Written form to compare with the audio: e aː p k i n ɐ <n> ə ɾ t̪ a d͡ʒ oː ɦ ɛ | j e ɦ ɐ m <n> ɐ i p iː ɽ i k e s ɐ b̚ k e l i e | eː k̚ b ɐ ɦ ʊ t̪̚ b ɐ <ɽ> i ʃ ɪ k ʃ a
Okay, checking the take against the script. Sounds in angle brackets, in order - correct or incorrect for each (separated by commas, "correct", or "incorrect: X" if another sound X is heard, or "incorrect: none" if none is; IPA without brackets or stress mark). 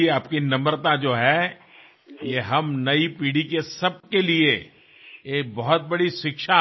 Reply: incorrect: m, correct, correct